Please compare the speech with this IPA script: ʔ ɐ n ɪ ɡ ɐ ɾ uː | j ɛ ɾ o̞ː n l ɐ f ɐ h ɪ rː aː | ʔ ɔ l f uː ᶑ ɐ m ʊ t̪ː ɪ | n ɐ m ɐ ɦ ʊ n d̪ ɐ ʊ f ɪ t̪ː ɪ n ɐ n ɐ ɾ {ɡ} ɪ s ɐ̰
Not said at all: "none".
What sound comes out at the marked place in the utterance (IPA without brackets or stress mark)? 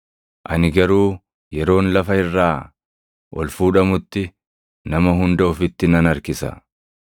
k